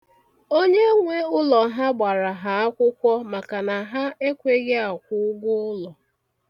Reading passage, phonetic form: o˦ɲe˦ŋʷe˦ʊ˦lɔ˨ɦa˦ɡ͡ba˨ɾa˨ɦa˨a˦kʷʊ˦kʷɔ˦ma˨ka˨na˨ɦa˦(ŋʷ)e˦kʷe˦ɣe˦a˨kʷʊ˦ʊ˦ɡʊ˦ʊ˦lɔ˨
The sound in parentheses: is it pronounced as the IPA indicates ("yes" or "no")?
no